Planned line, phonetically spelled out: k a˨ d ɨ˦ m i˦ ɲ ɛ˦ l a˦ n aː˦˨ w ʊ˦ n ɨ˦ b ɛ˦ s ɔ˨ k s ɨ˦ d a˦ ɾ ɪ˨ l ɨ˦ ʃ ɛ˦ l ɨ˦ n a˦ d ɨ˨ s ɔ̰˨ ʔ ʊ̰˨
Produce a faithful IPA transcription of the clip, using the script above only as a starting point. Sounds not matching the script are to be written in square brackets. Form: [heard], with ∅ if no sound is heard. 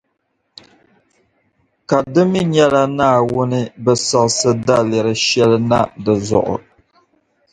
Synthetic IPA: k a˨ d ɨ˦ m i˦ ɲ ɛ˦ l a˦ n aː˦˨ w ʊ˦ n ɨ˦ b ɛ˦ s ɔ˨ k s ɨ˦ d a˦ [l] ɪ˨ [ɾ] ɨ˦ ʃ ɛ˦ l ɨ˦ n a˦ d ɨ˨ [z] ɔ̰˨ ʔ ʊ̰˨

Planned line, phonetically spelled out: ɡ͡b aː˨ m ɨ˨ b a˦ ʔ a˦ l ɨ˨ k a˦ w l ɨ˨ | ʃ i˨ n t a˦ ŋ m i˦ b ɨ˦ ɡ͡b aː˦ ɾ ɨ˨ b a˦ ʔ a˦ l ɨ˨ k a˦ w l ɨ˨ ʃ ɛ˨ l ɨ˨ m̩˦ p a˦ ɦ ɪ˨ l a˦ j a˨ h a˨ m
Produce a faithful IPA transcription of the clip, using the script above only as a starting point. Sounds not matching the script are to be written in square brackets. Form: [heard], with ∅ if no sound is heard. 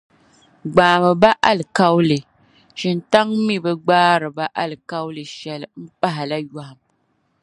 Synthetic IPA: ɡ͡b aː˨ m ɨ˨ b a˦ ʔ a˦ l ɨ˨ k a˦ w l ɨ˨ | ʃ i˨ n t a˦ ŋ m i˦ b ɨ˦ ɡ͡b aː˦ ɾ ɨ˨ b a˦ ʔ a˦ l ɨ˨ k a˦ w l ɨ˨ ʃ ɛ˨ l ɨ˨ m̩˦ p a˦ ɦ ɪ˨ l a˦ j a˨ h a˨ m

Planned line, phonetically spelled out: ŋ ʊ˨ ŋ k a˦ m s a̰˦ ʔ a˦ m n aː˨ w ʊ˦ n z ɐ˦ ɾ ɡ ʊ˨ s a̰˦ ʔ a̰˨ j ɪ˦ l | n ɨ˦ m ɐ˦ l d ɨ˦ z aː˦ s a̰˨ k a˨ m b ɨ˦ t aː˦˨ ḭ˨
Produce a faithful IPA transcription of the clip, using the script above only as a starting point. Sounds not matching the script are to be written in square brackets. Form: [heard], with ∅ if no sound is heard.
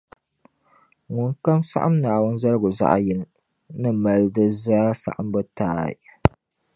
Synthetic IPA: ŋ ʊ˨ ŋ k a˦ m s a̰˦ ʔ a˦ m n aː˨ w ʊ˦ n z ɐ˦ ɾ ɡ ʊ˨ [z] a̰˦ ʔ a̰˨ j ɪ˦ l | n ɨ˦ m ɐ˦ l d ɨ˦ z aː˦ s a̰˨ [ʔ] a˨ m b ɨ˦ t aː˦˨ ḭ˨

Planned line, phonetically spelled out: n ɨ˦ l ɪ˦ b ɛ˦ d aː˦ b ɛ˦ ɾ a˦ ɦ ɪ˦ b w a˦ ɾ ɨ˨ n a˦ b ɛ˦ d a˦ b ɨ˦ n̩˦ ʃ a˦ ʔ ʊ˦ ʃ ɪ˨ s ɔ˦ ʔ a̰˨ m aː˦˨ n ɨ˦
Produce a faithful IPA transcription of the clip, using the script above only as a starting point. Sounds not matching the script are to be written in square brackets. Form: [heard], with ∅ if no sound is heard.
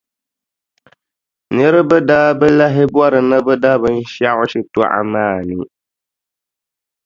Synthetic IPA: n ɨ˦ [ɾ] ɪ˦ b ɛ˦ d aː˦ b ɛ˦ [l] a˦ ɦ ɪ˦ b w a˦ ɾ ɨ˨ n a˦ b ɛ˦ d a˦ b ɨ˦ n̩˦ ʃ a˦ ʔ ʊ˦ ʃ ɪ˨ [t] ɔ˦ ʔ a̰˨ m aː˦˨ n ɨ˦

